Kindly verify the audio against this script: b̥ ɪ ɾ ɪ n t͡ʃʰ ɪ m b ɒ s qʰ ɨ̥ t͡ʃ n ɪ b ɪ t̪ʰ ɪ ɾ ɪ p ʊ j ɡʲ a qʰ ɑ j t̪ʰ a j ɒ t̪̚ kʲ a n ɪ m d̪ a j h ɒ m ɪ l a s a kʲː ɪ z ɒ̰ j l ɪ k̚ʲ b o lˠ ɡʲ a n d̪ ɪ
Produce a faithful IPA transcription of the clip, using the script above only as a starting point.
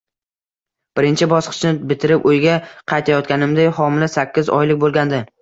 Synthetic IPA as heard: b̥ ɪ ɾ ɪ n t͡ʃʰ ɪ b ɒ s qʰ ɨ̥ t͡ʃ n ɪ b ɪ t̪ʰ ɪ ɾ ɪ p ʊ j ɡʲ a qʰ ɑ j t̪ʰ a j ɒ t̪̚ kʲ a n ɪ m d̪ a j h ɒ m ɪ l a s a kʲː ɪ z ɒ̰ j l ɪ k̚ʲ b o lˠ ɡʲ a n d̪ ɪ